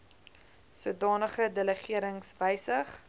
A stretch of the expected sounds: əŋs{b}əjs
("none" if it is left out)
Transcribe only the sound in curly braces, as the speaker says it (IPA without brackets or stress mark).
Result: v